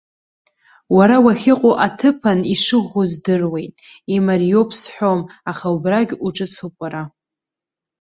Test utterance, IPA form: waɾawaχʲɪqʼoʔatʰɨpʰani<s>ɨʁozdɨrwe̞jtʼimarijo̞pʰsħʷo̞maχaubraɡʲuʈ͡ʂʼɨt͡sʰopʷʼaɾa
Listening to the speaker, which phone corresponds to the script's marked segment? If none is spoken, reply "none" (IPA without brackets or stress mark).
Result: ʂ